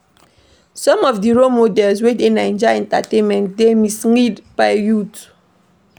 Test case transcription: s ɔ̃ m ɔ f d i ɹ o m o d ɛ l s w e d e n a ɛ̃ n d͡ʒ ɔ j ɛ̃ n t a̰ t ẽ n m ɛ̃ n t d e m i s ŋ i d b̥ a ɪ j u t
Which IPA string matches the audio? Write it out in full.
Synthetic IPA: s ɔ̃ m ɔ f d i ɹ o m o d ɛ l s w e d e n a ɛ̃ n d͡ʒ ɔ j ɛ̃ n t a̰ t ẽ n m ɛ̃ n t d e m i s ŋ i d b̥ a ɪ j u t